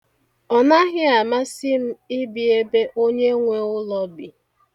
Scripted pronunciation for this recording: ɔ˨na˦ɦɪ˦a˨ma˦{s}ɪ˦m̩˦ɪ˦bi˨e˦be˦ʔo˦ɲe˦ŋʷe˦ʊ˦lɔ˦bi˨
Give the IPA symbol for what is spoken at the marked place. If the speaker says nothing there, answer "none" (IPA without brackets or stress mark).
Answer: s